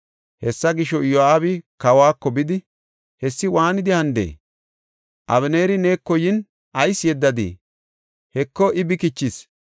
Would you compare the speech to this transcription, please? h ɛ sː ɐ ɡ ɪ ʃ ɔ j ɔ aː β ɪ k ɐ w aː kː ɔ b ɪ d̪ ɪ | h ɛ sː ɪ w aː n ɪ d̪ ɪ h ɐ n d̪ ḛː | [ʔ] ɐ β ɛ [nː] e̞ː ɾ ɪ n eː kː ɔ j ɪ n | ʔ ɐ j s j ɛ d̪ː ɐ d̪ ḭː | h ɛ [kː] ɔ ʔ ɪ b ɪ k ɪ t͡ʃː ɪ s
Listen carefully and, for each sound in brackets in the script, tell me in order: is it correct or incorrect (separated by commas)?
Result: correct, incorrect, correct